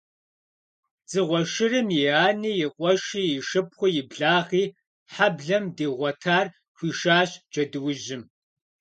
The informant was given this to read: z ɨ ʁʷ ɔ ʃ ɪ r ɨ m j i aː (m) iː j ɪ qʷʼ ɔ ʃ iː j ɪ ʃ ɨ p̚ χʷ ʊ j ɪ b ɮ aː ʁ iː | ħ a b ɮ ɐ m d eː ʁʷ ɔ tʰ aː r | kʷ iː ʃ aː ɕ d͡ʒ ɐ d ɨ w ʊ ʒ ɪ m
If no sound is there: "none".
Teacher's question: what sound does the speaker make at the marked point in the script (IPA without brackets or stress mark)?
n